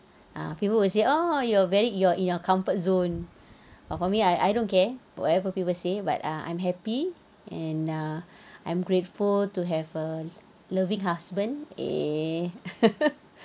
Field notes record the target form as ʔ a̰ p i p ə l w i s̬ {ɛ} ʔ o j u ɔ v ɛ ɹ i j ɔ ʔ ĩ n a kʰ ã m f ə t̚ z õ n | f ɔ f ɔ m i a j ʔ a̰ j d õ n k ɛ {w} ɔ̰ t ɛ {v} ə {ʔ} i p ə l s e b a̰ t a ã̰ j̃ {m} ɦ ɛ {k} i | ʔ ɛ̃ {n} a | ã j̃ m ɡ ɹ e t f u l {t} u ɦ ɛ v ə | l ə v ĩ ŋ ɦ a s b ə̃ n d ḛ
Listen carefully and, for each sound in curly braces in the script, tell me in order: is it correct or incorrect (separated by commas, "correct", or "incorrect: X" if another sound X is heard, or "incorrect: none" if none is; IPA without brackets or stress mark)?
incorrect: e, correct, correct, incorrect: p, correct, incorrect: p, correct, correct